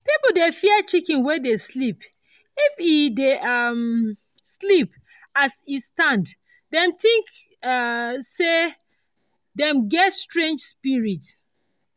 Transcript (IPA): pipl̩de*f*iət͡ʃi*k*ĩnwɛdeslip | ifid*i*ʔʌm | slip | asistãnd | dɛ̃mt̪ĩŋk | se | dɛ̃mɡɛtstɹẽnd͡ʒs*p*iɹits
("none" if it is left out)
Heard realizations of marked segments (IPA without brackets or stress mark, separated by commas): f, k, e, p